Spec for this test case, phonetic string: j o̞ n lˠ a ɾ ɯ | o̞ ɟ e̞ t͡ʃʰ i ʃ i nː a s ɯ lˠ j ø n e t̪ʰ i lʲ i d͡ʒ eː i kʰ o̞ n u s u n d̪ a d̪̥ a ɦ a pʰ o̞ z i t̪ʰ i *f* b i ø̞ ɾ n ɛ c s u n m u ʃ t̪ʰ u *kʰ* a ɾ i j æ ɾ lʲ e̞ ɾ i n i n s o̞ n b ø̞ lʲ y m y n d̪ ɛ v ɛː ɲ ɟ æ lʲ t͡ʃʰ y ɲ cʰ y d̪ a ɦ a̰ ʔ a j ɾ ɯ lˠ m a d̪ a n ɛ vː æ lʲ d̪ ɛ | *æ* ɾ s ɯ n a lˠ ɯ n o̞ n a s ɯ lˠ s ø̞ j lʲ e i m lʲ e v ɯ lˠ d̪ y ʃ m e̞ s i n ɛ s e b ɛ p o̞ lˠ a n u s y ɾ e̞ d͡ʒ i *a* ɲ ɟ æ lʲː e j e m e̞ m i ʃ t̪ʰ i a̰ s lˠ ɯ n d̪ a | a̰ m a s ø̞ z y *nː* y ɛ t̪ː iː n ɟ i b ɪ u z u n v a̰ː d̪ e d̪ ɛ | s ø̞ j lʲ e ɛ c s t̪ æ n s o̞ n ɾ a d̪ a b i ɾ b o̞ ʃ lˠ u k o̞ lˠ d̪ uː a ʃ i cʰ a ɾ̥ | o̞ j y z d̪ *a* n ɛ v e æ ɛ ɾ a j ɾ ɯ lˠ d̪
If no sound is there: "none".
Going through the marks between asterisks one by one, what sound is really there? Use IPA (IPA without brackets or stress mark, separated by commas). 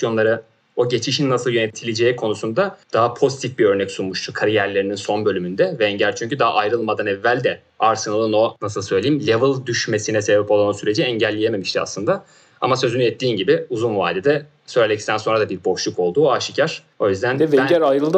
f, kʰ, a, ɛ, n, æ